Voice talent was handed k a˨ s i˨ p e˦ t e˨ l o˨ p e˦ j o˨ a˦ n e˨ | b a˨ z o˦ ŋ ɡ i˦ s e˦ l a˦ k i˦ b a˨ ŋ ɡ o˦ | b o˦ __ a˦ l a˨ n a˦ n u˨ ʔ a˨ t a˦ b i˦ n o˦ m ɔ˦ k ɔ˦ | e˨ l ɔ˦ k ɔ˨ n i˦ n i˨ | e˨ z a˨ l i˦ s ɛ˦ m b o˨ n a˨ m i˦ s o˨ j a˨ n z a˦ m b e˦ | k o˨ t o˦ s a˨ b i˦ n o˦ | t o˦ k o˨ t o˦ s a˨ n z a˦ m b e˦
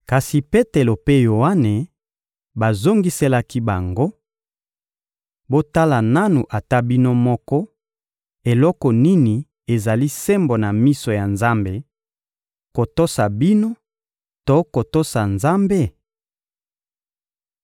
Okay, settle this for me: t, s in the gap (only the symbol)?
t